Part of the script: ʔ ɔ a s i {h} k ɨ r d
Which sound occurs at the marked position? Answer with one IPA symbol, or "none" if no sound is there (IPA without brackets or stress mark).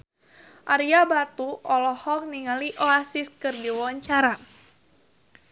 s